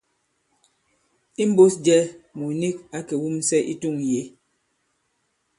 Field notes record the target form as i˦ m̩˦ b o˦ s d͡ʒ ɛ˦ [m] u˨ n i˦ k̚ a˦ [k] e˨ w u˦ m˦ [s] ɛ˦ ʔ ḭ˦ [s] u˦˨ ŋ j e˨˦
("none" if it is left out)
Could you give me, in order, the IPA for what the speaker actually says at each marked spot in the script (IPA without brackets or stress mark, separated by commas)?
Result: m, k, s, t